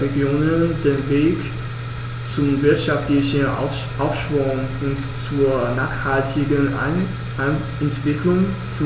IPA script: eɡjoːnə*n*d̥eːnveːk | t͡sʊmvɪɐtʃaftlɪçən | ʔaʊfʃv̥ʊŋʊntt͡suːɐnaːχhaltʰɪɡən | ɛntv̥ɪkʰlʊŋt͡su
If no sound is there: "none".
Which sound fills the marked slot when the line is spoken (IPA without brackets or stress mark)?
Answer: n